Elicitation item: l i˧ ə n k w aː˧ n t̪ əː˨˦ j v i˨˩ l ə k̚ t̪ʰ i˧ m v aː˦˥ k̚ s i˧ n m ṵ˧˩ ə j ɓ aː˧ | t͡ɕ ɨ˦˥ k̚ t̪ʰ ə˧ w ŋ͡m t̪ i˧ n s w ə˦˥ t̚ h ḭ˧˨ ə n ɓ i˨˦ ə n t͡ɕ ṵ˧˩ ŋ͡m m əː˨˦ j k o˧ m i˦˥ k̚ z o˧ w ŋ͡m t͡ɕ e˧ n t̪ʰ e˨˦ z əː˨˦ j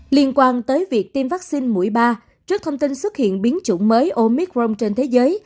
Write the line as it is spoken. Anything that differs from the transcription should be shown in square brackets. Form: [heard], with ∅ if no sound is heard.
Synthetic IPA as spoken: l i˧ ə n k w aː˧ n t̪ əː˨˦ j v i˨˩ [∅] ə k̚ [t̪] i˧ m v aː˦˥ k̚ s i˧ n m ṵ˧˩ ə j ɓ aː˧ | t͡ɕ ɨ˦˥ k̚ t̪ʰ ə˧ w ŋ͡m t̪ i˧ n s w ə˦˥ t̚ h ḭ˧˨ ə n ɓ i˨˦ ə n t͡ɕ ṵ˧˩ ŋ͡m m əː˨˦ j [ʔ] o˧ m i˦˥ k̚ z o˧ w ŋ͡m t͡ɕ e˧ n t̪ʰ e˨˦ z əː˨˦ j

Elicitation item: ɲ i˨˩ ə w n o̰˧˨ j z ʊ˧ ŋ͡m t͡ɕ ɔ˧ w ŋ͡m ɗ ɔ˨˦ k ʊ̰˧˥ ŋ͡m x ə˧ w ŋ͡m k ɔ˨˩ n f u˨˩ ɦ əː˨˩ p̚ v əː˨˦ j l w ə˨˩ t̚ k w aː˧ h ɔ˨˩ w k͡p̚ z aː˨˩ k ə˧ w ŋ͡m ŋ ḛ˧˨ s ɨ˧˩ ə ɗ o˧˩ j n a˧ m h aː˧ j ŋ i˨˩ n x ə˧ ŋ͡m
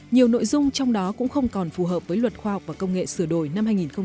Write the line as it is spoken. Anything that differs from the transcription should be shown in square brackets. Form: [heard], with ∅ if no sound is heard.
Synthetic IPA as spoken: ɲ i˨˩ ə w n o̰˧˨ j z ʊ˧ ŋ͡m t͡ɕ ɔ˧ w ŋ͡m ɗ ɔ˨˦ k ʊ̰˧˥ ŋ͡m x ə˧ w ŋ͡m k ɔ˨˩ n f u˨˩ ɦ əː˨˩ p̚ v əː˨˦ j l w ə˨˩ t̚ [x] w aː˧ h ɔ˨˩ w k͡p̚ [v] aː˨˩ k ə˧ w ŋ͡m ŋ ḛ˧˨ s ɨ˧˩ ə ɗ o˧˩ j n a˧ m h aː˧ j ŋ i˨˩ n x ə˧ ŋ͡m

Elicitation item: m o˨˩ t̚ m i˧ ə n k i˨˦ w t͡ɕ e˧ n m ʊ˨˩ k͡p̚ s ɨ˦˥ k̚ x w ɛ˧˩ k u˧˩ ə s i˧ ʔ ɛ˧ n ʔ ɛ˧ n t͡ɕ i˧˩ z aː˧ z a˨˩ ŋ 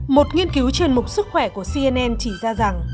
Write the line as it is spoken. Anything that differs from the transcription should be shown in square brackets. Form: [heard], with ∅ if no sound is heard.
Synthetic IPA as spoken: m o˨˩ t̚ [ŋ] i˧ ə n k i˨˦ w t͡ɕ e˧ n m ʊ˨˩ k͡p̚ s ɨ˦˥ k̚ x w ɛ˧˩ k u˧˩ ə s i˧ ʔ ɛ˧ n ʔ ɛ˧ n t͡ɕ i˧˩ z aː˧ z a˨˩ ŋ

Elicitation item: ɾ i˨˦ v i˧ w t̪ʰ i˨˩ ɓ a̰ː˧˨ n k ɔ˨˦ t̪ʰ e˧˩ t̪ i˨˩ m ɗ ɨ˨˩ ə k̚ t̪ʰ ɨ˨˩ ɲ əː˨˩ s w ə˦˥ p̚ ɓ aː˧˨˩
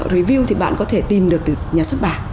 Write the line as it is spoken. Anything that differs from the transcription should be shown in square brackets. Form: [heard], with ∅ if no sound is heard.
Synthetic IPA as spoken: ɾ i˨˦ v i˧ w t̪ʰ i˨˩ ɓ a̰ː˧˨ n k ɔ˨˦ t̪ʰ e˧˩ t̪ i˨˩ m ɗ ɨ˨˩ ə k̚ [t̪] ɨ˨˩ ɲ [aː˨˩] s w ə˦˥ [t̚] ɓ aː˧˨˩

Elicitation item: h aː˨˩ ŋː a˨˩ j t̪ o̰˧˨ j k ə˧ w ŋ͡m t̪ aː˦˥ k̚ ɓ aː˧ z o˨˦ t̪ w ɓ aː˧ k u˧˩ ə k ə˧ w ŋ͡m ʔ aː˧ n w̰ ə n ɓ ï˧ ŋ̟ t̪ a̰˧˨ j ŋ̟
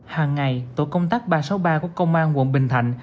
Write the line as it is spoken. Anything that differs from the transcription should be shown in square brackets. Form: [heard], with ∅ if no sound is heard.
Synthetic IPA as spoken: h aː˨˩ ŋː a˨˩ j t̪ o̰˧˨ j k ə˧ w ŋ͡m t̪ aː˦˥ k̚ ɓ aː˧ [s] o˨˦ [∅] w ɓ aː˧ k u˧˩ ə k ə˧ w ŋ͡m ʔ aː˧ n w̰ ə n ɓ [ï˨˩] ŋ̟ [t̪ʰ] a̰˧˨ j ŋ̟

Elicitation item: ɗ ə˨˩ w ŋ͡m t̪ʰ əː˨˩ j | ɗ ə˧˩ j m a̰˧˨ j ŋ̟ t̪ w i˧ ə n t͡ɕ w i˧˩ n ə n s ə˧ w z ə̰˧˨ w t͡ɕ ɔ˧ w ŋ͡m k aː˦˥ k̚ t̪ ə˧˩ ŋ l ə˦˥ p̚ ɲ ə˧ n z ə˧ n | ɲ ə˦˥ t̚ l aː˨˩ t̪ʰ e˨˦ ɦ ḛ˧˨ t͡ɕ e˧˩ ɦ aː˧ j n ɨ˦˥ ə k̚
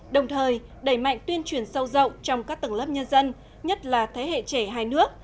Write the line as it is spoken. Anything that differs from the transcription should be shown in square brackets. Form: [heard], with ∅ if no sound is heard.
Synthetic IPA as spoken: ɗ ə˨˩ w ŋ͡m t̪ʰ əː˨˩ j | ɗ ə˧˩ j m a̰˧˨ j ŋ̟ t̪ w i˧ ə n t͡ɕ w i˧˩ [∅] ə n s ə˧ w z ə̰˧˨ w t͡ɕ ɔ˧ w ŋ͡m k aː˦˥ k̚ t̪ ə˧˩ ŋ l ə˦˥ p̚ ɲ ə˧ n z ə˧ n | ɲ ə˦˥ t̚ l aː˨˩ t̪ʰ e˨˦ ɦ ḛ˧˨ t͡ɕ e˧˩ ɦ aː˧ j n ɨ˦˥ ə k̚

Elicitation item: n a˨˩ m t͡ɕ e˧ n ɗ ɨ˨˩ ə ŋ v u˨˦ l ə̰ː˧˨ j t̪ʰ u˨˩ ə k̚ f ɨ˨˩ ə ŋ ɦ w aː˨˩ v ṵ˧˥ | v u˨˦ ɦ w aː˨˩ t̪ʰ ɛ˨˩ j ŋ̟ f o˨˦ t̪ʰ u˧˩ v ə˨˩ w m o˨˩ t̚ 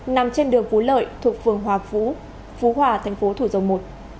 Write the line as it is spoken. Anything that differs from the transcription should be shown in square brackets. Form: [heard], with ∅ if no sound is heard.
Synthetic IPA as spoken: n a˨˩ m t͡ɕ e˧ n ɗ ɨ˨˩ ə ŋ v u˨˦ l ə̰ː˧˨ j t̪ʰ u˨˩ ə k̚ f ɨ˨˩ ə ŋ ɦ w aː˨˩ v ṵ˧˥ | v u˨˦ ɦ w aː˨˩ t̪ʰ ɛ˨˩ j ŋ̟ f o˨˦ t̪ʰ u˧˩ [z] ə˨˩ w m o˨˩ t̚

